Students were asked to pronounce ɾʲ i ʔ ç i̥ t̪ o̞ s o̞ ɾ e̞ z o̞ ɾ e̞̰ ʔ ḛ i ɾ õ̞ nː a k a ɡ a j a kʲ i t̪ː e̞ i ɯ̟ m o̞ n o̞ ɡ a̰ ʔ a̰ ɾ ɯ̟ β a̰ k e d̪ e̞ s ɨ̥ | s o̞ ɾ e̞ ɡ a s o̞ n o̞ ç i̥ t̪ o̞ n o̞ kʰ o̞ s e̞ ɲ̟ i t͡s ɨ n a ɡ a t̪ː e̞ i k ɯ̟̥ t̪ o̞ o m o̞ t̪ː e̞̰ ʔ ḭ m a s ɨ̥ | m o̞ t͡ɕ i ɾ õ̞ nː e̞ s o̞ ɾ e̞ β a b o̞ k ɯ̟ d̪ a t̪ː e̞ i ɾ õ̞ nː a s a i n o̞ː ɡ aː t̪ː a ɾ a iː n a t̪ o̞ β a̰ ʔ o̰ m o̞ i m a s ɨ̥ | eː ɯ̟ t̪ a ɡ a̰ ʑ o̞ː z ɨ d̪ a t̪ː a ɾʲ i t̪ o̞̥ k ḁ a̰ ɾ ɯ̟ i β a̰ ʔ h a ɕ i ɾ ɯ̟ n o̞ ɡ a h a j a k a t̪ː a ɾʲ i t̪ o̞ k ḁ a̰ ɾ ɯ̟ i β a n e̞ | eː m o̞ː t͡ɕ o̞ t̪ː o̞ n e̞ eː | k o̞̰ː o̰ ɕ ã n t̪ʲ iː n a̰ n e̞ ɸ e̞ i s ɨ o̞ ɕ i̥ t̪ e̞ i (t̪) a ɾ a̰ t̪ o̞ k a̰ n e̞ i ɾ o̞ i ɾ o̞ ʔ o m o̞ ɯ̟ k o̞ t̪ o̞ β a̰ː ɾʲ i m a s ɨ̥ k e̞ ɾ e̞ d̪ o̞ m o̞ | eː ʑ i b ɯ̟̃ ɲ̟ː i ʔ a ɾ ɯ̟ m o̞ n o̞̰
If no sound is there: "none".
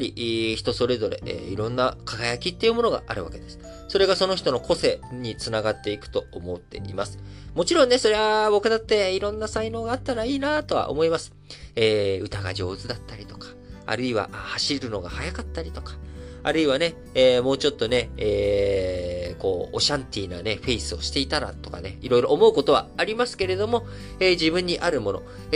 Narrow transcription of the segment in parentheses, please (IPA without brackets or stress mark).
t̪